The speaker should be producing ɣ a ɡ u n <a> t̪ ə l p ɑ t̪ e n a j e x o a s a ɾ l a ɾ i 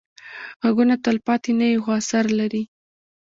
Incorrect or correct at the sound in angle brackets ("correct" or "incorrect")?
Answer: correct